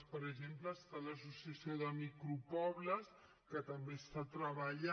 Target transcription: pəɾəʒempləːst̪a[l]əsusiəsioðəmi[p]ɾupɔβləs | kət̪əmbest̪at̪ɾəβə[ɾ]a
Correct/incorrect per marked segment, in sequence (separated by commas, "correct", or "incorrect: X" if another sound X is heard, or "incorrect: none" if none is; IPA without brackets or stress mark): correct, incorrect: k, incorrect: ʎ